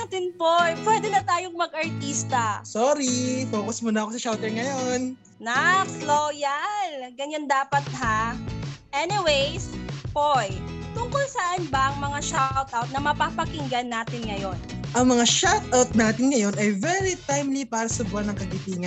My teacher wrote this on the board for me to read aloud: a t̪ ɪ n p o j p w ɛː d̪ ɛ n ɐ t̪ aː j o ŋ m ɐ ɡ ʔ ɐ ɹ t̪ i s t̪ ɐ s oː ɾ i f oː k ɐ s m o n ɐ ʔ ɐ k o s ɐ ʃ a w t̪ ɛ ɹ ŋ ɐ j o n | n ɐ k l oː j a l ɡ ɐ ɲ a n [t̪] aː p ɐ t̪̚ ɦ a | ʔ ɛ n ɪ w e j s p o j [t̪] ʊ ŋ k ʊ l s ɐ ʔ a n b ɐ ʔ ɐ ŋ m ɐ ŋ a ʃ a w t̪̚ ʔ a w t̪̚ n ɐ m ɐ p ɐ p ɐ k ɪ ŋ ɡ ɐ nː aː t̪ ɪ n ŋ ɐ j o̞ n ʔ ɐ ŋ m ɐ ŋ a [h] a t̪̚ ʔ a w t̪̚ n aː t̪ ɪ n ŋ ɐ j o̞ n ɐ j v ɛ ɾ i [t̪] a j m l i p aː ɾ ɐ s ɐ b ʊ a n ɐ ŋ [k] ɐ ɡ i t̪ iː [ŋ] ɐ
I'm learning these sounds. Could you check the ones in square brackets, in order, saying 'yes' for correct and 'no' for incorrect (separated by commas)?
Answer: no, yes, no, yes, yes, yes